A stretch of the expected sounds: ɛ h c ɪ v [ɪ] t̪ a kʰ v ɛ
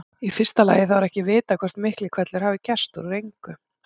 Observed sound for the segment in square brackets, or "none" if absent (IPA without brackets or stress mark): ɪː